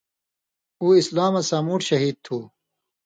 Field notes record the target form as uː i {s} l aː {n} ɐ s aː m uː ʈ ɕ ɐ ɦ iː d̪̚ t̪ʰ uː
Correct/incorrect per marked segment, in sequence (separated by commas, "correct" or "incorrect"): correct, incorrect